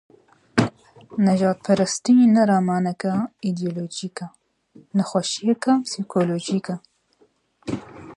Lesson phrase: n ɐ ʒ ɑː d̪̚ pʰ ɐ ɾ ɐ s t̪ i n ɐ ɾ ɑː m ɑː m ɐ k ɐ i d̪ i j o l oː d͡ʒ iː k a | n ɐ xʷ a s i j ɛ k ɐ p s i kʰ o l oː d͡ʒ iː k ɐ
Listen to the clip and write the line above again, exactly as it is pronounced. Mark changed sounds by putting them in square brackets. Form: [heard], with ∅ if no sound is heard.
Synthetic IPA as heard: n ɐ ʒ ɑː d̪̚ pʰ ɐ ɾ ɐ s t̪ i n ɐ ɾ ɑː m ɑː [n] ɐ k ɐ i d̪ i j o l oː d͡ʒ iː k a | n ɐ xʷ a [ʃ] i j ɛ k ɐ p s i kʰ o l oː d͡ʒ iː k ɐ